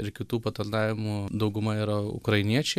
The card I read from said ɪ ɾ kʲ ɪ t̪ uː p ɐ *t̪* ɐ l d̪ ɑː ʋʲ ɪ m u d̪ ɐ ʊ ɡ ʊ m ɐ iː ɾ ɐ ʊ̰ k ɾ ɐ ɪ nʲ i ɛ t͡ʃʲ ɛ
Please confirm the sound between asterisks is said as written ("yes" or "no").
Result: yes